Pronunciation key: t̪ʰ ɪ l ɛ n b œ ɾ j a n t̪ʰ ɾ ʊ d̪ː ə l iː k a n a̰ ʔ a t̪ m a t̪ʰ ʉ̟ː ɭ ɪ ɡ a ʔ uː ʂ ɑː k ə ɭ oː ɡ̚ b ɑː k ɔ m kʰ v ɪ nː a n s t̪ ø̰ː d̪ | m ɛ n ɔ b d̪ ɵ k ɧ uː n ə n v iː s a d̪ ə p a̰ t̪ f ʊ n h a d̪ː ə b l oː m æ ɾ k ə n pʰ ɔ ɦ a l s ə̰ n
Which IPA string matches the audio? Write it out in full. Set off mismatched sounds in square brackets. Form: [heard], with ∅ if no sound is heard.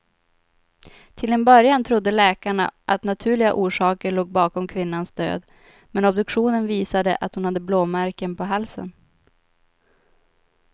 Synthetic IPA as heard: t̪ʰ ɪ l ɛ n b œ ɾ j a n t̪ʰ ɾ ʊ d̪ː ə l [ɛː] k a [ɳ] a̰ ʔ a t̪ [n] a t̪ʰ ʉ̟ː ɭ ɪ ɡ a ʔ uː ʂ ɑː k ə ɭ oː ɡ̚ b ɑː k ɔ m kʰ v ɪ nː a n s [d̪] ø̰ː d̪ | m ɛ n ɔ b d̪ ɵ k ɧ uː n ə n v iː s a d̪ ə [ʔ] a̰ t̪ [h] ʊ n h a d̪ː ə b l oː m æ ɾ k ə n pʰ ɔ ɦ a l s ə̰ n